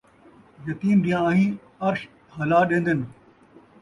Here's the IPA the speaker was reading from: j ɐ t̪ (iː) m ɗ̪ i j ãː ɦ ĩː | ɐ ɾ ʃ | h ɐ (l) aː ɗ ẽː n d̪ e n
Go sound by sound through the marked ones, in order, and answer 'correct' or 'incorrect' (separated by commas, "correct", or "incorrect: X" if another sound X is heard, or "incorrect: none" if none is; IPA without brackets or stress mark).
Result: correct, correct